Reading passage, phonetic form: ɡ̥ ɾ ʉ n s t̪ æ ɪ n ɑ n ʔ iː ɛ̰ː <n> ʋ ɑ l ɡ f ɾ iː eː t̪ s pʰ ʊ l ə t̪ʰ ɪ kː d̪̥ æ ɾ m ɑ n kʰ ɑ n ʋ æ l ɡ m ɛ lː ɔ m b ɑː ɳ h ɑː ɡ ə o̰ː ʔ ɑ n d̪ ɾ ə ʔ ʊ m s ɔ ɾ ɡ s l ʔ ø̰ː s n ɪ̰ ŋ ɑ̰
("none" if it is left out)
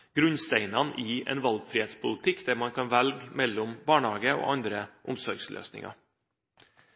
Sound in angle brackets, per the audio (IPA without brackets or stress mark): n